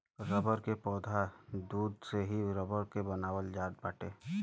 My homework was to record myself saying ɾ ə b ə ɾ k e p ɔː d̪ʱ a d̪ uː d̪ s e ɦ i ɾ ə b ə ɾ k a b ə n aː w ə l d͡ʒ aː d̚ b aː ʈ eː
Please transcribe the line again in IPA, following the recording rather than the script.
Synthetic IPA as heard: ɾ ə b ə ɾ k e p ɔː d̪ʱ a d̪ uː d̪ s e ɦ i ɾ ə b ə ɾ k e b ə n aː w ə l d͡ʒ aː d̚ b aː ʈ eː